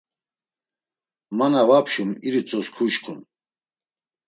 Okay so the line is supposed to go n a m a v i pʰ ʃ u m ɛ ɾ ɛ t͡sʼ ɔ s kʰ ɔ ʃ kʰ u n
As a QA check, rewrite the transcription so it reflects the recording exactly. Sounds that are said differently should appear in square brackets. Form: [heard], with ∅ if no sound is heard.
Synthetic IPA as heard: [m] a [n] a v [a] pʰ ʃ u m [i] ɾ [i] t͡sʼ ɔ s kʰ [u] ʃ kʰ u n